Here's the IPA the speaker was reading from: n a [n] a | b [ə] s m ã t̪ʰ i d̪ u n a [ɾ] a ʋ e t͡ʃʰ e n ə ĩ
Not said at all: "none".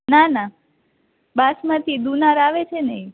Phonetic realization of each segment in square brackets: n, a, ɾ

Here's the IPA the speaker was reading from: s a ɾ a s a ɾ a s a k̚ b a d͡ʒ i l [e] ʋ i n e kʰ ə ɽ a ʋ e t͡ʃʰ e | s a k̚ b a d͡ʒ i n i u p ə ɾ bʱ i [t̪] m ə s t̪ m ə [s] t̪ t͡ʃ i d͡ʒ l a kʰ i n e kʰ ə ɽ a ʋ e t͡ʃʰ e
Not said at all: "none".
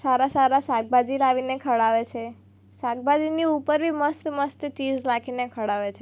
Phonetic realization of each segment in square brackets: a, none, s

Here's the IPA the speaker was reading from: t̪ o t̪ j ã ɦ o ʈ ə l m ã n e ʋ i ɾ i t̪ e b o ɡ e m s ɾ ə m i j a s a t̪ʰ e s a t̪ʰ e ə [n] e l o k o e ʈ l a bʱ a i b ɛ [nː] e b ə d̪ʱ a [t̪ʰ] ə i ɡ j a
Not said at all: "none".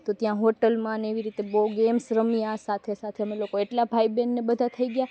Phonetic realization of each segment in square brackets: m, nː, t̪ʰ

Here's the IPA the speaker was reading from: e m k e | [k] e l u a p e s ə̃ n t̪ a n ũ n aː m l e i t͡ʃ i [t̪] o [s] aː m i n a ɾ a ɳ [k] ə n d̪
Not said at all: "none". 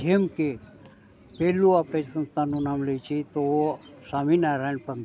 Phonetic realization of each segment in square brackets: p, t̪, s, p

